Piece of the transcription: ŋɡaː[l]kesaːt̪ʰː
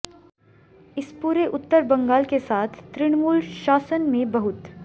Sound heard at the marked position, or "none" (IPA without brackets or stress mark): l